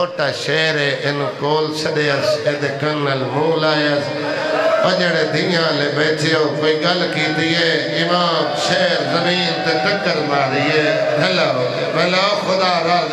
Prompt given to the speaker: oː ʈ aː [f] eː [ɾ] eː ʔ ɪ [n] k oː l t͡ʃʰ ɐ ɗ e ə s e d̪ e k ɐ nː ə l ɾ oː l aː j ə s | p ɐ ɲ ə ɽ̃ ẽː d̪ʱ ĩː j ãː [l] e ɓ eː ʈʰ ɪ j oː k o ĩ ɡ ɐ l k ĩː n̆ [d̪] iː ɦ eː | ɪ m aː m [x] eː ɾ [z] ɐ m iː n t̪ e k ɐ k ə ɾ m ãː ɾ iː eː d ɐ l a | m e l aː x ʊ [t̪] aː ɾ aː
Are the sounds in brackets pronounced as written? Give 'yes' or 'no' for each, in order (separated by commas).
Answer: no, yes, yes, yes, yes, no, yes, no